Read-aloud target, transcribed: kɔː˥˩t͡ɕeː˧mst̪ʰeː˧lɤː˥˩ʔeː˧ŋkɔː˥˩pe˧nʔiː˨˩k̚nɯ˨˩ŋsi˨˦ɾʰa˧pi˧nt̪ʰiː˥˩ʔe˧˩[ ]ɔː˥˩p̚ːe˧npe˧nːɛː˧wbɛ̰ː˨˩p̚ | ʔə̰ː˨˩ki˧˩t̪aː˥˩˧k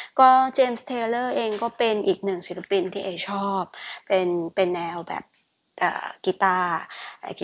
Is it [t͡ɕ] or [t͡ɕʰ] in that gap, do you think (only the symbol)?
t͡ɕʰ